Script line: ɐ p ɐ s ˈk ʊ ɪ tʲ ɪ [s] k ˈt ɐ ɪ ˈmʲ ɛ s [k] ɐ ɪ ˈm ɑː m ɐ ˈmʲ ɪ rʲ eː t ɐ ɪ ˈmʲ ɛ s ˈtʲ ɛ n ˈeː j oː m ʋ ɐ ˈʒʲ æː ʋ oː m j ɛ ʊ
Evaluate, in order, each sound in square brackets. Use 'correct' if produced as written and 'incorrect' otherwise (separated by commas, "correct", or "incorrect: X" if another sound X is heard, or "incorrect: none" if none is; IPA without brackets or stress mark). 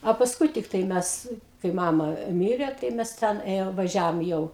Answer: incorrect: none, correct